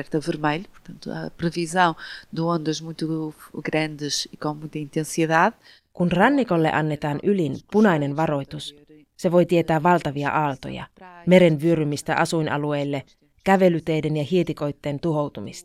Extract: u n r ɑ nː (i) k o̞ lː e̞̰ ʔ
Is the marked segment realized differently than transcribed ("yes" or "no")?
no